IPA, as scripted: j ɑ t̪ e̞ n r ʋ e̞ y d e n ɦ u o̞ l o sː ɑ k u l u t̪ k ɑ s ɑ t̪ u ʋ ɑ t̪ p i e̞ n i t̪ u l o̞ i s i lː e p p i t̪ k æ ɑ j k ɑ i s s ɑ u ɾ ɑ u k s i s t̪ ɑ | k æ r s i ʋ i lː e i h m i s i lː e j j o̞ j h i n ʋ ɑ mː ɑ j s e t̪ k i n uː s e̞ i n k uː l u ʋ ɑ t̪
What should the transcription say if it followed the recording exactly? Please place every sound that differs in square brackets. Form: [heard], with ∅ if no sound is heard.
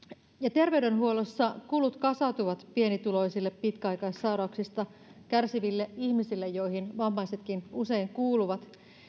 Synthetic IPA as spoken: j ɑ t̪ e̞ [∅] r ʋ e̞ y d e n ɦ u o̞ l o sː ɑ k u l u t̪ k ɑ s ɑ t̪ u ʋ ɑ t̪ p i e̞ n i t̪ u l o̞ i s i lː e p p i t̪ k æ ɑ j k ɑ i s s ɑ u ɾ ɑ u k s i s t̪ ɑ | k æ r s i ʋ i lː e i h m i s i lː e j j o̞ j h i n ʋ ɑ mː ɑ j s e t̪ k i n [u] s e̞ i [ŋ] k uː l u ʋ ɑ t̪